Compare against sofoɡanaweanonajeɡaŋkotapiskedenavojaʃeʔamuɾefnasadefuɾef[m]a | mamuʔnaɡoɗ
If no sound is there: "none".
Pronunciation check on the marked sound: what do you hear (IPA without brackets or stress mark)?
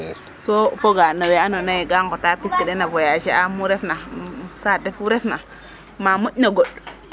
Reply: n